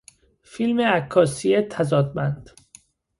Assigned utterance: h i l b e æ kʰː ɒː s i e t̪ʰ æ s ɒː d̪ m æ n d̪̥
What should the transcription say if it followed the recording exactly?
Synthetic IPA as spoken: f i l m e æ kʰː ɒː s i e t̪ʰ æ z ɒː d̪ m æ n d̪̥